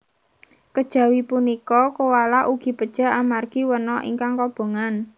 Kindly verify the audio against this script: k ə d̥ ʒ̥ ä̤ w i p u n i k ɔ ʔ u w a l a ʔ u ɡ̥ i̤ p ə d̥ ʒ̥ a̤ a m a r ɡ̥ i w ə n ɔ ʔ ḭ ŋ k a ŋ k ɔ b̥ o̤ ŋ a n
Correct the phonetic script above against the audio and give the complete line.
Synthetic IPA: k ə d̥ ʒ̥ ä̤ w i p u n i k ɔ k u w a l a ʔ u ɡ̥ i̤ p ə d̥ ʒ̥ a̤ a m a r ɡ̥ i w ə n ɔ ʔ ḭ ŋ k a ŋ k ɔ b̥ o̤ ŋ a n